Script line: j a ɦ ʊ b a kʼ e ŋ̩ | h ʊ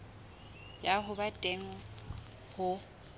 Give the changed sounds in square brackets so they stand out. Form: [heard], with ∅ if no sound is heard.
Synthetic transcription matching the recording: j a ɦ ʊ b a [tʼ] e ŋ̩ | h ʊ